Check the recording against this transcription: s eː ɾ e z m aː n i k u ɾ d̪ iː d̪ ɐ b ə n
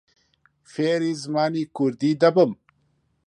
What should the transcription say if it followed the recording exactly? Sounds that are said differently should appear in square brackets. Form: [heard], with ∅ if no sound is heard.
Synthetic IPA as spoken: [f] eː ɾ [i] z m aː n i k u ɾ d̪ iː d̪ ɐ b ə [m]